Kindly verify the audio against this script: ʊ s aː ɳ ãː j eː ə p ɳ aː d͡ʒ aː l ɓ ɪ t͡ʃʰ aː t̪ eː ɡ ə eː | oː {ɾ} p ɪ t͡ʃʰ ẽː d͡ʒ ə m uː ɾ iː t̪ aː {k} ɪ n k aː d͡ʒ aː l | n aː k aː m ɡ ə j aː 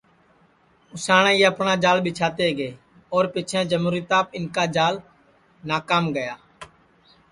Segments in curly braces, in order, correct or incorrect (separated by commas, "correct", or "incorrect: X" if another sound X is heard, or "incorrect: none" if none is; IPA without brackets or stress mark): correct, incorrect: p